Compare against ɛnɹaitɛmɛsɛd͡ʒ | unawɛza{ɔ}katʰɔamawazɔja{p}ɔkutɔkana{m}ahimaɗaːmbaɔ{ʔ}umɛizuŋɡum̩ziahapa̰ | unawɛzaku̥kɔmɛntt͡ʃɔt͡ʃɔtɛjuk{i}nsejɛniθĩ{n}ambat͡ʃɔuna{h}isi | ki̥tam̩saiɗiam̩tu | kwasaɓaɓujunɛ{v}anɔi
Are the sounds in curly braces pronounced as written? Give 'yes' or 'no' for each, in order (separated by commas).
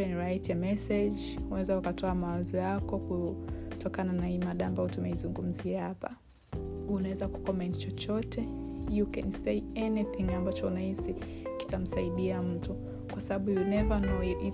no, no, no, no, no, no, yes, yes